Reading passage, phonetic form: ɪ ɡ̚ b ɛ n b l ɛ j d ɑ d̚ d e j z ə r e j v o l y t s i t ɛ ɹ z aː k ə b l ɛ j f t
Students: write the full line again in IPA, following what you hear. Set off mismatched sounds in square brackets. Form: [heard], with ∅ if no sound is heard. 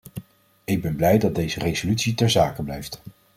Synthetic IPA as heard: ɪ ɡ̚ b ɛ n b l ɛ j d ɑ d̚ d e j z ə r e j [z] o l y t s i t ɛ ɹ z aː k ə b l ɛ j f t

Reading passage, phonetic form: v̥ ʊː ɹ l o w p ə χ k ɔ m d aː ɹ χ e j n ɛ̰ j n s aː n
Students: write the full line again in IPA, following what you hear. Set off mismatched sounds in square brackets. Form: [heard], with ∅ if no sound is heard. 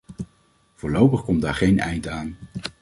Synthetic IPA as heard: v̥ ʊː ɹ l o w p ə χ k ɔ m d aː ɹ χ e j n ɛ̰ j n [t] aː n

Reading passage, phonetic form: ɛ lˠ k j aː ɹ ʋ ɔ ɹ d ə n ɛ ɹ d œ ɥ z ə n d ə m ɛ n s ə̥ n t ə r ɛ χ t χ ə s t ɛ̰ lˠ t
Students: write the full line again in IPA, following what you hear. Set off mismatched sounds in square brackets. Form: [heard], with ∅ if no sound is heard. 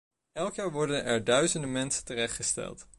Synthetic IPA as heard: ɛ lˠ k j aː ɹ ʋ ɔ ɹ d ə n ɛ ɹ d œ ɥ z ə n d ə m ɛ n s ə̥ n t ə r ɛ χ t χ ə s t ɛ̰ lˠ t

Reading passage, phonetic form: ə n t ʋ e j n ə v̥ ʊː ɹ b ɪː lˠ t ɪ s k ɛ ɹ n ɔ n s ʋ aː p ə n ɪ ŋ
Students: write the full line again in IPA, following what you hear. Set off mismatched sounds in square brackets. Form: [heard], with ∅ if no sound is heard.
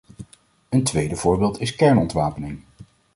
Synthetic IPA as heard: ə n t ʋ e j [d] ə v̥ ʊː ɹ b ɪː lˠ t ɪ s k ɛ ɹ n ɔ n [t] ʋ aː p ə n ɪ ŋ

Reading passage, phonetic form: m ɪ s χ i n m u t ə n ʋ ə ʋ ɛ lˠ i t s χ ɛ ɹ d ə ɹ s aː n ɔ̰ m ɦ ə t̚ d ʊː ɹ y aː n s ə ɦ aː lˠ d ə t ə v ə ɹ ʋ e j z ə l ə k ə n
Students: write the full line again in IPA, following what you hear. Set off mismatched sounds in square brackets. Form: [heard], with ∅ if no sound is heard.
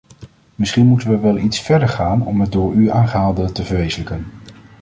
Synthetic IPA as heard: m ɪ s χ i n m u t ə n ʋ ə ʋ ɛ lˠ i t s [f] ɛ ɹ d ə ɹ [χ] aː n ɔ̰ m ɦ ə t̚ d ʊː ɹ y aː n [χ] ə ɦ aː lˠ d ə t ə v ə ɹ ʋ e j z ə l ə k ə n

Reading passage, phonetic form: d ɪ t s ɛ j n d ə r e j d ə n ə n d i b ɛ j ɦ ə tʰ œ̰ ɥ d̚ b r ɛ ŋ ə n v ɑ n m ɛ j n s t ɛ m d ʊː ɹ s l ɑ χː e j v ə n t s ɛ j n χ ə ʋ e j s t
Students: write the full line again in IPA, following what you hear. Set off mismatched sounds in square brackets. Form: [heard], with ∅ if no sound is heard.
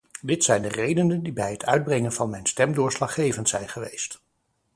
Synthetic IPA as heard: d ɪ t s ɛ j n d ə r e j d ə n ə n d i b ɛ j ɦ ə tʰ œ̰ ɥ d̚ b r ɛ ŋ ə n v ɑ n m ɛ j n s t ɛ m d ʊː ɹ s l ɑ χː e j v ə n t s ɛ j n χ ə ʋ e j s t

